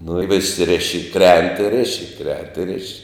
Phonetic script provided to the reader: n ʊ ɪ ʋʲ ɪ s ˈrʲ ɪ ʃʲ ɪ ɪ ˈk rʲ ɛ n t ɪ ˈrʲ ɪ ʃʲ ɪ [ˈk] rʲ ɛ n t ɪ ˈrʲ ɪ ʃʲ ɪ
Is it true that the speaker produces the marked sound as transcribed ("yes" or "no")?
yes